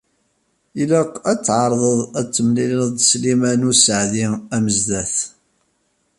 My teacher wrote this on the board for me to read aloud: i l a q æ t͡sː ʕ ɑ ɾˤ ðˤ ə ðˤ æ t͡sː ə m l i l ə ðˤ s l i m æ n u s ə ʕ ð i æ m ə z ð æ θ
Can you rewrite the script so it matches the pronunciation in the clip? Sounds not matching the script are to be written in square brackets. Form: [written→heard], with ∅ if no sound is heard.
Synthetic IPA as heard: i l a q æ t͡sː ʕ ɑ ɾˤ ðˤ ə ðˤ æ t͡sː ə m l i l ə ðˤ s l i m æ n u s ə ʕ ð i æ m ə z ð æ θ